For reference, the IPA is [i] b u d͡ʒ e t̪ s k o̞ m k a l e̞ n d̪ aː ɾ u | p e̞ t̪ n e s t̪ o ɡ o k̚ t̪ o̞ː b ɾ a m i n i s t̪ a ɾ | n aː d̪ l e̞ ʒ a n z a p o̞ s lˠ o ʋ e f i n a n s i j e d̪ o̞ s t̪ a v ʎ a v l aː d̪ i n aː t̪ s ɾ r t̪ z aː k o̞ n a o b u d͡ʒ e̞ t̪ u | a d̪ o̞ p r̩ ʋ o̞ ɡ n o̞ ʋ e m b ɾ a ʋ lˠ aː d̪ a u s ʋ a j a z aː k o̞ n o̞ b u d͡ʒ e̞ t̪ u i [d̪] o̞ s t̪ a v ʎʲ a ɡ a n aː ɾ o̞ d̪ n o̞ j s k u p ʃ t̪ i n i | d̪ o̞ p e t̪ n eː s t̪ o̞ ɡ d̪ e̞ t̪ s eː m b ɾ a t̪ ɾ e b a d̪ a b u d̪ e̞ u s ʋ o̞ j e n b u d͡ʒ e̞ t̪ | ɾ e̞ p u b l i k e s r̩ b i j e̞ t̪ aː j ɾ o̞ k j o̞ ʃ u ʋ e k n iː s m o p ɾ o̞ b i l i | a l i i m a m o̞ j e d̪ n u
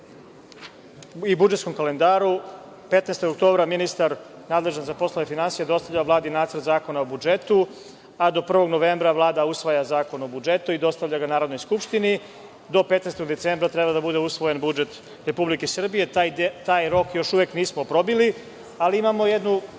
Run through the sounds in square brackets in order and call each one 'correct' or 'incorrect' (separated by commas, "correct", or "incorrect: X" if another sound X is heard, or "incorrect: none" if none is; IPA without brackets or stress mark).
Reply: correct, correct